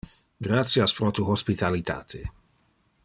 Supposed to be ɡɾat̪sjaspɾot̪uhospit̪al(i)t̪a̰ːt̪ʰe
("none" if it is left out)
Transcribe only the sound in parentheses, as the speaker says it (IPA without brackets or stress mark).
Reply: i